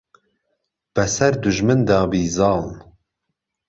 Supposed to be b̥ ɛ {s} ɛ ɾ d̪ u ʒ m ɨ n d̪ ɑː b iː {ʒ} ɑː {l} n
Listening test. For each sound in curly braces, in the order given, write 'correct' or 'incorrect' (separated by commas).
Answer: correct, incorrect, correct